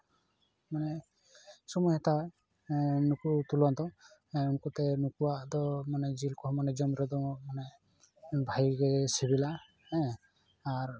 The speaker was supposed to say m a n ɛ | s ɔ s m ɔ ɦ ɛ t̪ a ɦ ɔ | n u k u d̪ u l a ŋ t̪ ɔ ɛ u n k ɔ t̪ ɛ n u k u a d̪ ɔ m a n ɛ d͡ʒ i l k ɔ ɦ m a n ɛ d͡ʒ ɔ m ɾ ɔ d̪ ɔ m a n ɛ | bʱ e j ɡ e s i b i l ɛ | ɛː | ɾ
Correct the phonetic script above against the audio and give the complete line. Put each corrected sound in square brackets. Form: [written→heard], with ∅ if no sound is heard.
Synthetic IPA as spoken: m a n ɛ | s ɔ [s→∅] m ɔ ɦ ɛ t̪ a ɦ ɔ | n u k u [d̪→t̪] u l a [ŋ→n] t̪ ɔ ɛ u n k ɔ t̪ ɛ n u k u a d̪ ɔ m a n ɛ d͡ʒ i l k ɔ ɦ m a n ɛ d͡ʒ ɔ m ɾ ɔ d̪ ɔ m a n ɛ | bʱ [e→a] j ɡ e s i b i l [ɛ→a] | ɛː | ɾ